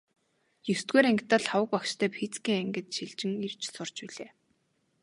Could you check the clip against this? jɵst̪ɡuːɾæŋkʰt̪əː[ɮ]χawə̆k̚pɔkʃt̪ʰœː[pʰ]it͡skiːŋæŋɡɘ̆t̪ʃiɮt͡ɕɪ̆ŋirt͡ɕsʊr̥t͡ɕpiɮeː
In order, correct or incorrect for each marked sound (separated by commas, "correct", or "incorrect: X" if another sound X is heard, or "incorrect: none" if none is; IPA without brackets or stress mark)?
correct, correct